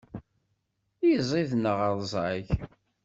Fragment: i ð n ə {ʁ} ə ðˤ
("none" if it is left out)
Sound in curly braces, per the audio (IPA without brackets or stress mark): ʁ